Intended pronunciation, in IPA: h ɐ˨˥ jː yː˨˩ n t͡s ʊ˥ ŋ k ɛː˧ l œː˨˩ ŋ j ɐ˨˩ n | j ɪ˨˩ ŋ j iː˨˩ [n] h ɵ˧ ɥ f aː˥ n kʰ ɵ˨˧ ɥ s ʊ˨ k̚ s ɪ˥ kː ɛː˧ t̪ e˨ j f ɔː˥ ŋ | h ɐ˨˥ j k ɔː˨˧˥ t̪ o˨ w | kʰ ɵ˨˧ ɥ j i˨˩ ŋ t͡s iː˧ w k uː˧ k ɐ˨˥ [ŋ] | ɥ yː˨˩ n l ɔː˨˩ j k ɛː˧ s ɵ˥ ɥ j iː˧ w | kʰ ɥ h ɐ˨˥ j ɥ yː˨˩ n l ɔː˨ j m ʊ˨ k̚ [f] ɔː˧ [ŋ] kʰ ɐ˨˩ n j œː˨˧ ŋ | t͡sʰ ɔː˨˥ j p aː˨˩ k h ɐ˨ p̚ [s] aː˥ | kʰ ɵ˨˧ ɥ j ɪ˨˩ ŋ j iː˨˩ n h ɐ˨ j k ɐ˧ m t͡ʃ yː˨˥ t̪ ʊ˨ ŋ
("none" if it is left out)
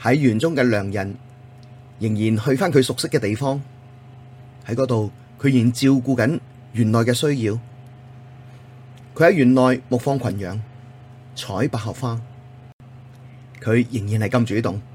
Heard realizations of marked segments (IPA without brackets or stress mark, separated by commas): n, n, f, ŋ, f